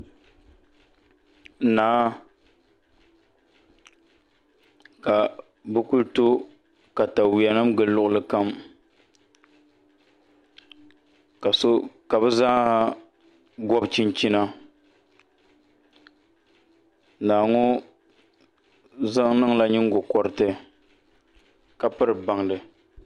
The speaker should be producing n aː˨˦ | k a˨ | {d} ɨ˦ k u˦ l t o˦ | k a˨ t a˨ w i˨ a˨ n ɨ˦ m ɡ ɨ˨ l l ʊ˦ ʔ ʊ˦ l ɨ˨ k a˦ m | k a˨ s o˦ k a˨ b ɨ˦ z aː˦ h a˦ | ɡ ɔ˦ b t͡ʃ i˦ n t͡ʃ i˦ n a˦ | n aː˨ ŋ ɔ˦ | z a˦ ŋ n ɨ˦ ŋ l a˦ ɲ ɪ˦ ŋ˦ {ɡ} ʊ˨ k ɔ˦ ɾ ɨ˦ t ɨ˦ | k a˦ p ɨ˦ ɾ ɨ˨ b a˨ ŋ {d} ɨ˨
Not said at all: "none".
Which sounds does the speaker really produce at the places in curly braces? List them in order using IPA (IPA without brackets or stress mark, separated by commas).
b, ɡ, d